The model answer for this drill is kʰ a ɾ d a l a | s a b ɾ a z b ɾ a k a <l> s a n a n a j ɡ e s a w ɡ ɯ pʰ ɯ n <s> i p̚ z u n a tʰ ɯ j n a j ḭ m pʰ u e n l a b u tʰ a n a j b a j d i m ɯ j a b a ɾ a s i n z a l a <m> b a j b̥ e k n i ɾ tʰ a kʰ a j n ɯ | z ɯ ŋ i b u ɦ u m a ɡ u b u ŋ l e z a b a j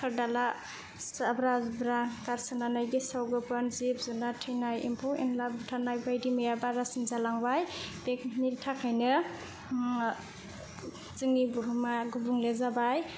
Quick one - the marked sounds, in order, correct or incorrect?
incorrect: ɾ, incorrect: z, incorrect: ŋ

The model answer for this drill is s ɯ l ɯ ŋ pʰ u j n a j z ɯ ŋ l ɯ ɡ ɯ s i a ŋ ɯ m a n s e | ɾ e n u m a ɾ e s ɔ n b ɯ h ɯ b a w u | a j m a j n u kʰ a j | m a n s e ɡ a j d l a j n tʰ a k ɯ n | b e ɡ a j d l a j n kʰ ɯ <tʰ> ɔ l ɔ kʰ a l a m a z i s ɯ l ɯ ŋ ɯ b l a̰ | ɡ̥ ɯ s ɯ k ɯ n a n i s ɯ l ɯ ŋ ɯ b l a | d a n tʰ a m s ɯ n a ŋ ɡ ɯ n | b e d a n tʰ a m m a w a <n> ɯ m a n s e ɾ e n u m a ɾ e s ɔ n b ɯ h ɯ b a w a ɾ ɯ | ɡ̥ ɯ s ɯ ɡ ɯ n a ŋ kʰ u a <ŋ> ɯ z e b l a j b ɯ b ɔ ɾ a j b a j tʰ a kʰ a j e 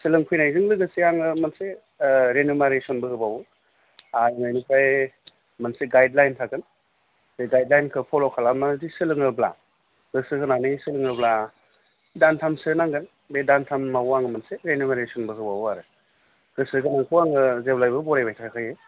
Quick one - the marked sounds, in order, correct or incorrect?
incorrect: pʰ, incorrect: ŋ, correct

